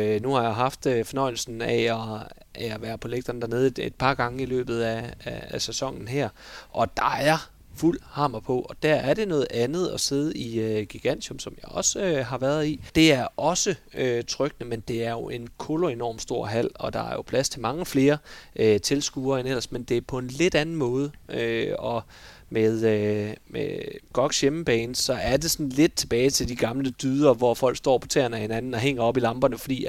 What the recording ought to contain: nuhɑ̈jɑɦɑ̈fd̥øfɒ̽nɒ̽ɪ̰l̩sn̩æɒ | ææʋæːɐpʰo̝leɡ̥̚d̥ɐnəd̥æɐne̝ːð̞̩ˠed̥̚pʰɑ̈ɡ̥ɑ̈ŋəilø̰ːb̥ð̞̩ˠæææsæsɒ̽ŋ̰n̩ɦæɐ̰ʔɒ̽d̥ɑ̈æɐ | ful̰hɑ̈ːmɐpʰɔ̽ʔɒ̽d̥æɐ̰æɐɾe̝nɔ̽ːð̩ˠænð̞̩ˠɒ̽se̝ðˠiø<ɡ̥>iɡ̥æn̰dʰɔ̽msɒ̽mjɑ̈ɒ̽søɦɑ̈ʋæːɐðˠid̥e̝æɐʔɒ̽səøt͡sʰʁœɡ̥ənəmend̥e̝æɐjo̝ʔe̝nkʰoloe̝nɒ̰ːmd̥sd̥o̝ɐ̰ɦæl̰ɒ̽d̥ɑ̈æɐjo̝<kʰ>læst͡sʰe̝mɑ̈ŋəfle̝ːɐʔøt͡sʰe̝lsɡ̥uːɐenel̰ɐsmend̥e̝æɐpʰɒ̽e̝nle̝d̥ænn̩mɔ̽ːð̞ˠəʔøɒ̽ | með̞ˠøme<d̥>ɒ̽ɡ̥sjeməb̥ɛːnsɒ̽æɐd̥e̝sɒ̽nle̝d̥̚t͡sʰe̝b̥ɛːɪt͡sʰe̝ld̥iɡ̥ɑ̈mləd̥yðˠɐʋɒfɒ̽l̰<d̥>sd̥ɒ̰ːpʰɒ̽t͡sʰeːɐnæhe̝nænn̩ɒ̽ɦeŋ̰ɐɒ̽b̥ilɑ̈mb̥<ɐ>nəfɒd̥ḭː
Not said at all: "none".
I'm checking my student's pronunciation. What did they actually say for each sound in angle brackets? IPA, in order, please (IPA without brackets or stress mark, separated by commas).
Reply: ɡ̥, pʰ, ɡ̥, ɡ̥, ɐ